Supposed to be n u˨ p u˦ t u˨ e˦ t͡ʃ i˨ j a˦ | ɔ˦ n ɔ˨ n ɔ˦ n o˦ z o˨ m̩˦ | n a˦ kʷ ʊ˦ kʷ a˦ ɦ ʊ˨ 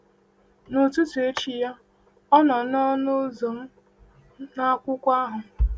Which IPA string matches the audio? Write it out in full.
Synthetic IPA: n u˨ t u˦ t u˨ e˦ t͡ʃ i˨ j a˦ | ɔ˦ n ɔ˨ n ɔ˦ n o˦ z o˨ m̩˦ | n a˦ kʷ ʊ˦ kʷ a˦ ɦ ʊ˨